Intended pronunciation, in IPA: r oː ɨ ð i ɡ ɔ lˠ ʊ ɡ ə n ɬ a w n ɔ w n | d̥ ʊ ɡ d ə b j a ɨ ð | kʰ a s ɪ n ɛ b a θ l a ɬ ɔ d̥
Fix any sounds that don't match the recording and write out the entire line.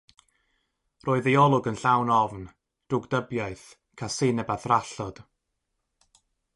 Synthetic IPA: r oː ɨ ð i ɔ lˠ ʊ ɡ ə n ɬ a w n ɔ v n | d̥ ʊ ɡ d ə b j a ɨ θ | kʰ a s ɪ n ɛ b a θ r a ɬ ɔ d̥